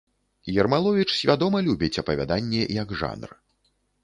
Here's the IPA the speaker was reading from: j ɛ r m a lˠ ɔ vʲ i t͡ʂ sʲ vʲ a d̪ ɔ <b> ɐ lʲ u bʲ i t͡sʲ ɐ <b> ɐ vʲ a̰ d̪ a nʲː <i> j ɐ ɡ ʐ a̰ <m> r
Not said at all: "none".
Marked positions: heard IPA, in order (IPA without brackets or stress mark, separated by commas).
m, p, ɛ, n